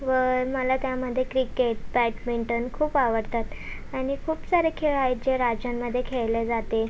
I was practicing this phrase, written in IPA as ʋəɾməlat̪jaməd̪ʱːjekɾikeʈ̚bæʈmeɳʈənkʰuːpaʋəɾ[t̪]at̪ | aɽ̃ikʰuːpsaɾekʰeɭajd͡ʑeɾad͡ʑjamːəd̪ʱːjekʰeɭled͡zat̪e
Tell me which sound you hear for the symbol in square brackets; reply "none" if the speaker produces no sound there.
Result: t̪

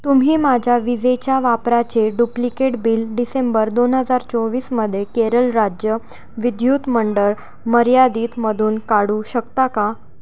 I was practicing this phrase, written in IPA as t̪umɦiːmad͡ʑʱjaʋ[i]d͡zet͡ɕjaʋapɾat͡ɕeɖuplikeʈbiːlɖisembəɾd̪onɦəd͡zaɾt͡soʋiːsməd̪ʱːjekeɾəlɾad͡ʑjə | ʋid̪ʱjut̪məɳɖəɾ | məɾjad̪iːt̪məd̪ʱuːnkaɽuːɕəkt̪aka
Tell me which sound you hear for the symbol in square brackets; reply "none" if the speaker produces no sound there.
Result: i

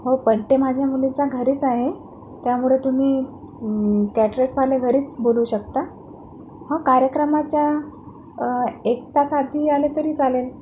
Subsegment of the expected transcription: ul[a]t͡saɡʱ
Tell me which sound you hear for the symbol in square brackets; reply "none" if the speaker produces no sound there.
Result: i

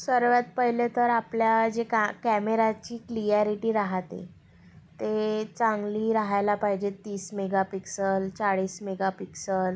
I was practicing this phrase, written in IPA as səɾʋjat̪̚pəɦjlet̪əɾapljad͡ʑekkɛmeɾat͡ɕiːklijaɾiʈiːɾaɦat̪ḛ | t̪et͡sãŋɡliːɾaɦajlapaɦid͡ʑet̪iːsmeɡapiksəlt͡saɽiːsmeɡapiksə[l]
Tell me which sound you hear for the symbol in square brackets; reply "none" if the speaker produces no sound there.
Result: l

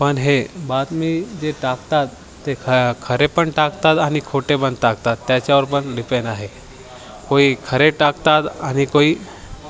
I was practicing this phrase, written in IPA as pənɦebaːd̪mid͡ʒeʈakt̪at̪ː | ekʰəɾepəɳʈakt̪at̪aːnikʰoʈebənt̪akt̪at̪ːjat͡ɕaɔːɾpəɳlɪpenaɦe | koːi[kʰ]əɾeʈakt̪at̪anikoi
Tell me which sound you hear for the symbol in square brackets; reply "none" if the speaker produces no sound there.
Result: kʰ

